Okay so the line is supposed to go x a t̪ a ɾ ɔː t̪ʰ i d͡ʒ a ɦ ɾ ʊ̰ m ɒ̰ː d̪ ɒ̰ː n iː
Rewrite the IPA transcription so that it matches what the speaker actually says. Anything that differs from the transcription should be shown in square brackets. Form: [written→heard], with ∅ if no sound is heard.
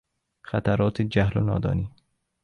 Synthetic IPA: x a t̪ a ɾ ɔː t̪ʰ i d͡ʒ a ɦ [ɾ→l] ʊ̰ [m→n] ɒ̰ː d̪ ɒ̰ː n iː